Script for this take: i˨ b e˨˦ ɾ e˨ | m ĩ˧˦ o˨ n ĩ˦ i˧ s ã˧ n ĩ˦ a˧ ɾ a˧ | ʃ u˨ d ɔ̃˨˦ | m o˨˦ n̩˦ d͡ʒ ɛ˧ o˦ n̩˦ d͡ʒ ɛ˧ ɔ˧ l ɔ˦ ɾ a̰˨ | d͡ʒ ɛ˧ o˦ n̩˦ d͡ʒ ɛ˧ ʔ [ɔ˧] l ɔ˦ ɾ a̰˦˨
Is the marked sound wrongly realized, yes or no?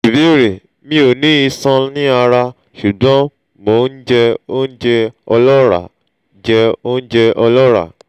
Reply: no